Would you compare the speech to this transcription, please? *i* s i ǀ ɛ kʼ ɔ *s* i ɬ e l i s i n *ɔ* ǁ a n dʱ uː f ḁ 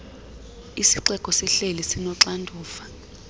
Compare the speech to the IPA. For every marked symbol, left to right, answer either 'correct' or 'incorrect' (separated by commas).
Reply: correct, correct, correct